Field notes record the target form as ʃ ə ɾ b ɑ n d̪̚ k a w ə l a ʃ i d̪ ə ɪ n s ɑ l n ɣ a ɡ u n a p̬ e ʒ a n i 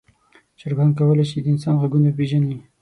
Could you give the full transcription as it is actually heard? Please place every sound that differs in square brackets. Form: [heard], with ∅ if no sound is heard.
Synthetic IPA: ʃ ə ɾ [ɡ] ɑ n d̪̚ k a w ə l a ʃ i d̪ ə ɪ n s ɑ [∅] n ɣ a ɡ u n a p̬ e ʒ a n i

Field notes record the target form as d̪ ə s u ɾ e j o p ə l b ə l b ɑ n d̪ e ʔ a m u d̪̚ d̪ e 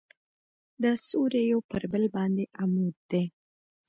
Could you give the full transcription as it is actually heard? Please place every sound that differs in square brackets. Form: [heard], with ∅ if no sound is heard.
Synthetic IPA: d̪ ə s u ɾ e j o p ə [ɾ] b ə l b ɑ n d̪ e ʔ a m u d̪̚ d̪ e

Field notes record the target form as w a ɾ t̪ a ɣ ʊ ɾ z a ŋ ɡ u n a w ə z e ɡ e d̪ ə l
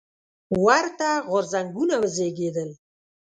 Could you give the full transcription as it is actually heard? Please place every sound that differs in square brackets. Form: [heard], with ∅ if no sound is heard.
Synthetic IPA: w a ɾ t̪ a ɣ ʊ ɾ z a ŋ ɡ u n a w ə z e ɡ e d̪ ə l

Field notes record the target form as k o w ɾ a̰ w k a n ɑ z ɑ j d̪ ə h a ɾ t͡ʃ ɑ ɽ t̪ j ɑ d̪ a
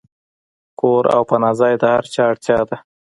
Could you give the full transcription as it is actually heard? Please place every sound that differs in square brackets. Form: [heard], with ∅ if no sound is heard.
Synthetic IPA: k o [∅] ɾ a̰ w [p] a n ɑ z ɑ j d̪ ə h a ɾ t͡ʃ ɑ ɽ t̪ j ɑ d̪ a

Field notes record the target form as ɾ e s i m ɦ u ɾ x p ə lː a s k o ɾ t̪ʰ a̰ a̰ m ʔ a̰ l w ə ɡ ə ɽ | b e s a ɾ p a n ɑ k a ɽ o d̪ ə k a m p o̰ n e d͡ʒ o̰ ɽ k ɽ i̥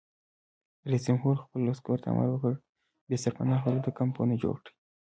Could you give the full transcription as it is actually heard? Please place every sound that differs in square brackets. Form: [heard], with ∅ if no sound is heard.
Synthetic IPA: ɾ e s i m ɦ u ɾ x p ə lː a s k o ɾ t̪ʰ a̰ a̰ m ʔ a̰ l w ə [k] ə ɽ | b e s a ɾ p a n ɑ [x] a [l] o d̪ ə k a m p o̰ n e d͡ʒ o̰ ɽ k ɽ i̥

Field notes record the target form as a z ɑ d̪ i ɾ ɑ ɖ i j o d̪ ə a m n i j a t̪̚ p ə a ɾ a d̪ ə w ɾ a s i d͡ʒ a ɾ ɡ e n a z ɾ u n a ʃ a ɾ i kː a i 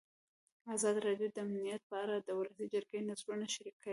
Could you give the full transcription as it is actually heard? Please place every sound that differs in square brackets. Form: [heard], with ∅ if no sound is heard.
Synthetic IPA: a z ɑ d̪ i ɾ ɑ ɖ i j o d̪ ə a m n i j a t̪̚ p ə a ɾ a d̪ ə w [l] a s i d͡ʒ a ɾ ɡ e n a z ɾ u n a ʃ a ɾ i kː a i

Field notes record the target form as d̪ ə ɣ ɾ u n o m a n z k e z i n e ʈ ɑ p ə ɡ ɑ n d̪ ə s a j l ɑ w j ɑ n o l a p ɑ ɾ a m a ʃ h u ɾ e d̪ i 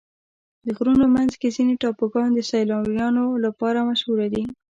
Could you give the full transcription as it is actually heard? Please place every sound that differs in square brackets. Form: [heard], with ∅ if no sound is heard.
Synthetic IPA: d̪ ə ɣ ɾ u n o m a n z k e z i n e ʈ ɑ p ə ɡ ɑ n d̪ ə s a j l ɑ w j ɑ n o l a p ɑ ɾ a m a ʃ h u ɾ [a] d̪ i

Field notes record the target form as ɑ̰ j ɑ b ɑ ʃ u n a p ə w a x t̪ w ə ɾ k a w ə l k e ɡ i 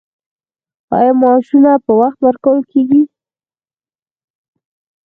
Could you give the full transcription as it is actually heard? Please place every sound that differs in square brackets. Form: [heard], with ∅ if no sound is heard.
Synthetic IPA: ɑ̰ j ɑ [m] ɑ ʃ u n a p ə w a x t̪ w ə ɾ k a w ə l k e ɡ i

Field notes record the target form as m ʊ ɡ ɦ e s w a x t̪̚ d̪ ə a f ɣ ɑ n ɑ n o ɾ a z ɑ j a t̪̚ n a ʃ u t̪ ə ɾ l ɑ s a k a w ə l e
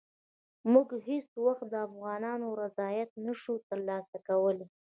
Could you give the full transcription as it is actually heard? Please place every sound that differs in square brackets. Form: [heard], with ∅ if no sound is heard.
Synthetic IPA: m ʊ ɡ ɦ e s w a x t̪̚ d̪ ə a f ɣ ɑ n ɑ n o ɾ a z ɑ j a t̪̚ n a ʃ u t̪ ə ɾ l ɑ s a k a w ə l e

